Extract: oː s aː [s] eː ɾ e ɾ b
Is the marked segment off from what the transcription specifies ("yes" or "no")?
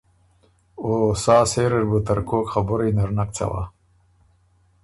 no